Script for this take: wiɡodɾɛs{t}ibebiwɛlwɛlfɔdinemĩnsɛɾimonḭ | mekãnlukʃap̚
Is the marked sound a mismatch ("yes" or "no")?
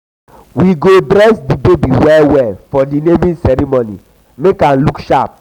yes